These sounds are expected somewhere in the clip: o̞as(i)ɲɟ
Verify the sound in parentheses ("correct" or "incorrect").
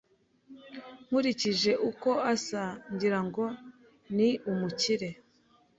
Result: incorrect